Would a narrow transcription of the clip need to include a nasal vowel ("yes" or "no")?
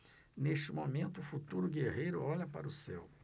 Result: yes